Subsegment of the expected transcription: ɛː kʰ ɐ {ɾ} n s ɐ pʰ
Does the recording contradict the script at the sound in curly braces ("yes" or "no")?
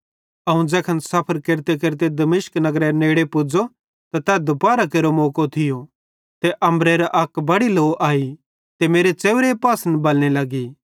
yes